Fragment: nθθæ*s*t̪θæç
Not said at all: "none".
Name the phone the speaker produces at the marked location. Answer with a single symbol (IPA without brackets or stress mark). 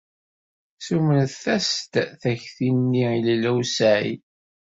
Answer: s